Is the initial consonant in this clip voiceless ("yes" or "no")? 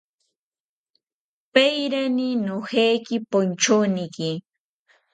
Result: yes